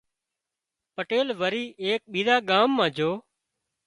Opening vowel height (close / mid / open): mid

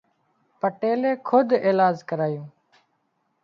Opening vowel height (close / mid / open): mid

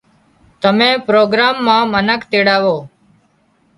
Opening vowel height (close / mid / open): mid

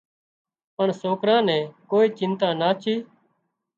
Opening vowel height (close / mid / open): mid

